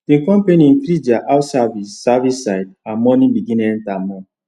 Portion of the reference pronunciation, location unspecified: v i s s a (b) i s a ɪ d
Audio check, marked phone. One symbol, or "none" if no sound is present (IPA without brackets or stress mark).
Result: v